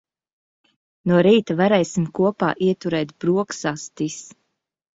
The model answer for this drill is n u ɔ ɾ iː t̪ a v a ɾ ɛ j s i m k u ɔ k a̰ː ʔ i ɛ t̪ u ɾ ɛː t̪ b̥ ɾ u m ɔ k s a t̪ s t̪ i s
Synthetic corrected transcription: n u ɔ ɾ iː t̪ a v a ɾ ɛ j s i m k u ɔ p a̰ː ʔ i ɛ t̪ u ɾ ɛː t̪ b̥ ɾ u ɔ k s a s t̪ i s